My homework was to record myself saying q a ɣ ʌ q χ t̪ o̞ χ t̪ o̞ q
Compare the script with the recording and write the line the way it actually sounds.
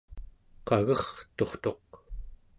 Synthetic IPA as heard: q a ɣ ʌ χ t̪ o̞ χ t̪ o̞ q